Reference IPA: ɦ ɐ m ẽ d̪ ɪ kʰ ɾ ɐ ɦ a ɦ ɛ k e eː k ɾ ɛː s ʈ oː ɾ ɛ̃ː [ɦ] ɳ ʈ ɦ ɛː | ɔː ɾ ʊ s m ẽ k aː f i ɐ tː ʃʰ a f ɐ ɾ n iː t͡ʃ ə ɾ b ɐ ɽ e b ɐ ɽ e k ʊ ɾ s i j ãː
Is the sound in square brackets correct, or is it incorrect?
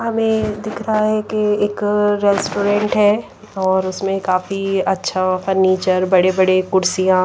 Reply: incorrect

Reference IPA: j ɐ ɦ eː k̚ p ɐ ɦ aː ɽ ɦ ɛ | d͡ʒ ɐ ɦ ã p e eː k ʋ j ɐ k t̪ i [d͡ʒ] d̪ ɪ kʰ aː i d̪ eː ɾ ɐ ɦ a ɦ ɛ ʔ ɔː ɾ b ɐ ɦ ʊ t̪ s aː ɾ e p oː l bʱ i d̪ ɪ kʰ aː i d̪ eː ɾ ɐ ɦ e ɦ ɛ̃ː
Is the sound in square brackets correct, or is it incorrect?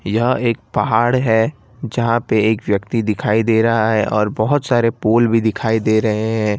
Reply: incorrect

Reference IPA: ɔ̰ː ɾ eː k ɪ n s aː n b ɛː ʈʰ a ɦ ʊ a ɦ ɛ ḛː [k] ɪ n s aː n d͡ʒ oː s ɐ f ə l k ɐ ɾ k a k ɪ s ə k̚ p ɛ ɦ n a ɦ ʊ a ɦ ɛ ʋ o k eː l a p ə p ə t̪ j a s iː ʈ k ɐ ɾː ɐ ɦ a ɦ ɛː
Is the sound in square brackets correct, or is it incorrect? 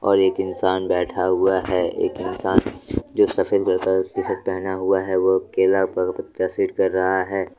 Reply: correct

